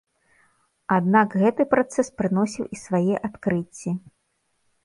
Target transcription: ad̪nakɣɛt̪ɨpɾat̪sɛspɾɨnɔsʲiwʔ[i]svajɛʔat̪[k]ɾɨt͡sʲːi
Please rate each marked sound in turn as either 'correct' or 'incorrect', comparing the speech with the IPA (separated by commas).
correct, correct